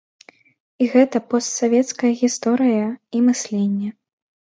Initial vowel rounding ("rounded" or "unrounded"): unrounded